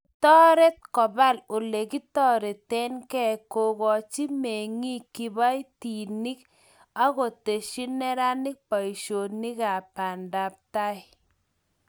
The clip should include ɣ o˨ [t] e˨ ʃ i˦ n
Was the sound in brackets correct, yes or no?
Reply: yes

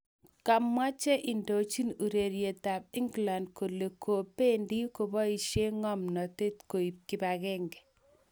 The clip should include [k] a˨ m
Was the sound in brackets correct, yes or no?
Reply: yes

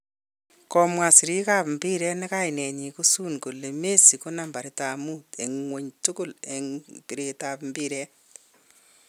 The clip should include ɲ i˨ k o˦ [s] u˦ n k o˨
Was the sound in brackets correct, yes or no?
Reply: yes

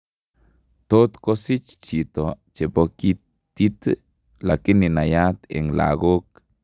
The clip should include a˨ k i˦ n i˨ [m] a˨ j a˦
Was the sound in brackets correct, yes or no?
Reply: no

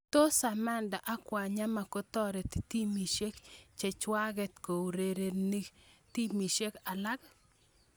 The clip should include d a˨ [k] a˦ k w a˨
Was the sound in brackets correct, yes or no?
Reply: no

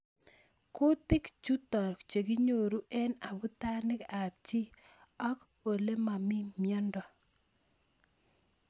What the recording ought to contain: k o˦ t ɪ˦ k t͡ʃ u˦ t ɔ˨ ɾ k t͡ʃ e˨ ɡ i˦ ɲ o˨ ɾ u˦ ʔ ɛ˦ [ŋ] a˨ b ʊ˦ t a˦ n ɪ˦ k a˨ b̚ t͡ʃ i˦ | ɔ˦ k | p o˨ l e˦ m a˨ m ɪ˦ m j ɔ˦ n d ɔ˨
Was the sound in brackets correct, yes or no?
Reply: no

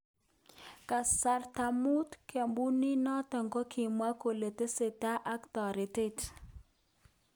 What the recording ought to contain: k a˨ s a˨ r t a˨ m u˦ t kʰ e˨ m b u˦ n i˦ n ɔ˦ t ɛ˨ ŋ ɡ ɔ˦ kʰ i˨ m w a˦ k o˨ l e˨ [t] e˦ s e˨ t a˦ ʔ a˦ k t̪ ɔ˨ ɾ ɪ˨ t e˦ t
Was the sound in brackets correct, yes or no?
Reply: yes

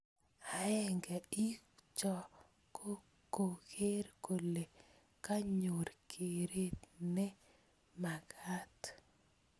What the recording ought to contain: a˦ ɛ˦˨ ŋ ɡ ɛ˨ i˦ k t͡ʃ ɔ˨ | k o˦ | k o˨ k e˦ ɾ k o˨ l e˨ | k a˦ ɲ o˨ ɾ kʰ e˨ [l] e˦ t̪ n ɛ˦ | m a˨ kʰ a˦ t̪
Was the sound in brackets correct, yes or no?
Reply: no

